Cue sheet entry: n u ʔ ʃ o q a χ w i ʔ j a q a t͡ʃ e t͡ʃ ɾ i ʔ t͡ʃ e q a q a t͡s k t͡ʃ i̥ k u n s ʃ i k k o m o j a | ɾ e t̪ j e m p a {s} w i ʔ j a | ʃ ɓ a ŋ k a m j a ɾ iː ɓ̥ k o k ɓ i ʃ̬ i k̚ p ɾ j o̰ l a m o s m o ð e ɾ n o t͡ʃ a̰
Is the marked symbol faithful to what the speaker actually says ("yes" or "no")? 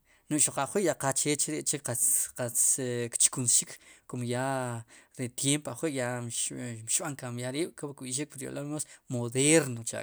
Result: no